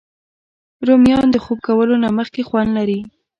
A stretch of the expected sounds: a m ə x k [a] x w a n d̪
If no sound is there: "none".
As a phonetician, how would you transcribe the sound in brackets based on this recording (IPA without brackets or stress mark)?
e